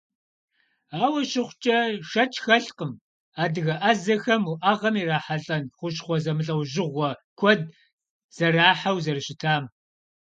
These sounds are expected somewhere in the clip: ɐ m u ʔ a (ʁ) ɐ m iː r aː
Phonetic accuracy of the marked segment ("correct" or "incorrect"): correct